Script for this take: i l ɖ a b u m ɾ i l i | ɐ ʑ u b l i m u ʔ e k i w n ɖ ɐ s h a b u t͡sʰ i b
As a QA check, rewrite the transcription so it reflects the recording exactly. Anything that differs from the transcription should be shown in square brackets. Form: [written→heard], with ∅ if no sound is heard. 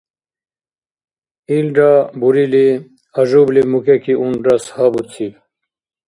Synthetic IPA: i l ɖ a b u [m→∅] ɾ i l i | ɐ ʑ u b l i m u [ʔ→k] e k i [w→u] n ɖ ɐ s h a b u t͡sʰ i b